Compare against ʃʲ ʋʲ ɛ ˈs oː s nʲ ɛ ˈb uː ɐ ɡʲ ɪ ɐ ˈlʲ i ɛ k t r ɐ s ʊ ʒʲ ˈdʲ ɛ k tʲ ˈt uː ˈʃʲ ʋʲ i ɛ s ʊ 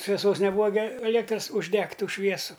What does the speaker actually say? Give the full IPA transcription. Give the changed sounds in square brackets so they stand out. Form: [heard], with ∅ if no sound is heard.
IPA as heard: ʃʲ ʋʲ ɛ ˈs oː s nʲ ɛ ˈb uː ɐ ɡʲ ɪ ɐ ˈlʲ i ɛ k t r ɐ s ʊ ʒʲ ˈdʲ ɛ k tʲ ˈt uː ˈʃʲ ʋʲ i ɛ s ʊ